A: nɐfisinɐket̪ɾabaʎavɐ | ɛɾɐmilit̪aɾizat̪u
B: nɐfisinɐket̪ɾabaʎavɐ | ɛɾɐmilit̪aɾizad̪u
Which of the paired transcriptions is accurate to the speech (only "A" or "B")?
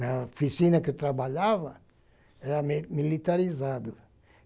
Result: B